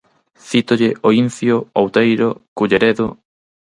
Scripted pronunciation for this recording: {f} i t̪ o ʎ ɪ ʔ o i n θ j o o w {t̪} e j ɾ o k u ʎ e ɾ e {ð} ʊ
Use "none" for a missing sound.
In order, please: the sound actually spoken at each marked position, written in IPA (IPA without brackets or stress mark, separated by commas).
θ, t̪, ð